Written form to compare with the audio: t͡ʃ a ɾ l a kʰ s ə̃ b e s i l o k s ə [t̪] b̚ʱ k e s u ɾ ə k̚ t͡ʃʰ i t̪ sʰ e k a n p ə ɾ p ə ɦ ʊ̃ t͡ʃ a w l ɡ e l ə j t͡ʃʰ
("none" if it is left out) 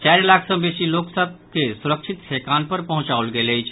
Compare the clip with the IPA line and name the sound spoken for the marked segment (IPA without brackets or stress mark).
none